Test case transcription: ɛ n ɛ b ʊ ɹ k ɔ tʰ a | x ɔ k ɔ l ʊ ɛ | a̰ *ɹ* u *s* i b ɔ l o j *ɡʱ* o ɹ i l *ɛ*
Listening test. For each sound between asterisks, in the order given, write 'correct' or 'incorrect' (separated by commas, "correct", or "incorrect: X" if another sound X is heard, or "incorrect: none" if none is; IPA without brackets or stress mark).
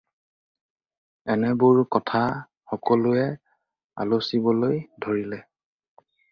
incorrect: l, correct, incorrect: dʱ, correct